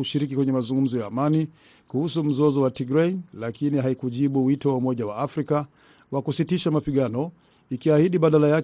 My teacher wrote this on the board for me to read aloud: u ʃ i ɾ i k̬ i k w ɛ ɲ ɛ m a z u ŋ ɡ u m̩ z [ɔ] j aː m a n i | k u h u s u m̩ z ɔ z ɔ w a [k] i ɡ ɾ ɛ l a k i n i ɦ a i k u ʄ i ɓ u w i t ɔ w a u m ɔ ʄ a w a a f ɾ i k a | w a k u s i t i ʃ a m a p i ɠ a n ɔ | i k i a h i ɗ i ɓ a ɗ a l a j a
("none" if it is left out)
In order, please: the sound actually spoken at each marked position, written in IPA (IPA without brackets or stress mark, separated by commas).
ɔ, t